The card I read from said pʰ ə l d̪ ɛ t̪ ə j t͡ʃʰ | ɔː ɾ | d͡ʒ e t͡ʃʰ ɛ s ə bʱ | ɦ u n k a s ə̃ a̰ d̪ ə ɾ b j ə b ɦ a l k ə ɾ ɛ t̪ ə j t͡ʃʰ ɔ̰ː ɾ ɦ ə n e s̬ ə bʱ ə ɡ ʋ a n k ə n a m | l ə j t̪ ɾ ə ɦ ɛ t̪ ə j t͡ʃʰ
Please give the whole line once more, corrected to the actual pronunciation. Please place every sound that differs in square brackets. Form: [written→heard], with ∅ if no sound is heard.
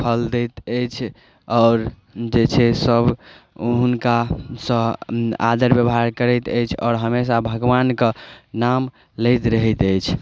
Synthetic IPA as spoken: pʰ ə l d̪ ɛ t̪ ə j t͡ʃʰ | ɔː ɾ | d͡ʒ e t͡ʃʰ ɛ s ə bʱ | ɦ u n k a s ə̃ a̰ d̪ ə ɾ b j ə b ɦ a [l→ɾ] k ə ɾ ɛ t̪ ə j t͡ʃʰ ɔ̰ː ɾ ɦ ə [n→m] e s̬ [ə→a] bʱ ə ɡ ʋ a n k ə n a m | l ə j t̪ ɾ ə ɦ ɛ t̪ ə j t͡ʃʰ